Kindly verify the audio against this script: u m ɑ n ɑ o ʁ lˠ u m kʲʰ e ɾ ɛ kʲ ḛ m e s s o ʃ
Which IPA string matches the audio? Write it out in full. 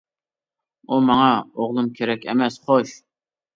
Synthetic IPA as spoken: u m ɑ ŋ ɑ o ʁ lˠ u m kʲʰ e ɾ ɛ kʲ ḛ m ɛ s χ o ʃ